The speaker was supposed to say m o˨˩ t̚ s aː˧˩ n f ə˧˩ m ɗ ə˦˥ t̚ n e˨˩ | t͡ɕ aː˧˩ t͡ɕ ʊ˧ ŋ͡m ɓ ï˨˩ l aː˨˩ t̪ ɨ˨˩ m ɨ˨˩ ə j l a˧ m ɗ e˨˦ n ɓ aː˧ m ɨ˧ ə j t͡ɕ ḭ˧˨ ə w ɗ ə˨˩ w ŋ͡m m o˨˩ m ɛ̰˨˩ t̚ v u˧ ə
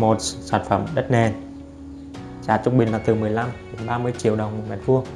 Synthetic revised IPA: m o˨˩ t̚ s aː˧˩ n f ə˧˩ m ɗ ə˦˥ t̚ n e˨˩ | t͡ɕ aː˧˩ t͡ɕ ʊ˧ ŋ͡m ɓ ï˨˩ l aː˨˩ t̪ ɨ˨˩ m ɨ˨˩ ə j l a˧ m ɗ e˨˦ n ɓ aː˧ m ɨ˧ ə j t͡ɕ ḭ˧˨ ə w ɗ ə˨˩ w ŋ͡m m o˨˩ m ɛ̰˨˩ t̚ v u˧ ə